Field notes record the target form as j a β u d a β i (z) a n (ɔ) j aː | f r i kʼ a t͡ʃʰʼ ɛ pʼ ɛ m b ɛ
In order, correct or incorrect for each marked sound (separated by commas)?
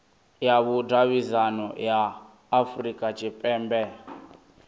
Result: correct, correct